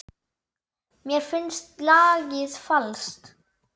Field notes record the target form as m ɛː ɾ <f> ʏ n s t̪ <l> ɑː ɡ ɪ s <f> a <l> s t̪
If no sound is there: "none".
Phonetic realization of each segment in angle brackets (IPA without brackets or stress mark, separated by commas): f, l, f, l